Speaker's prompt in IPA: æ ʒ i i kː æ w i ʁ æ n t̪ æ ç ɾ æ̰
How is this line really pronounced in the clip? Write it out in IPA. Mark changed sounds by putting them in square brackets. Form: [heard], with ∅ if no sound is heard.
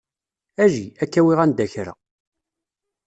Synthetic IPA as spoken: æ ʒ i [æ] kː æ w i ʁ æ n [d̪] æ ç ɾ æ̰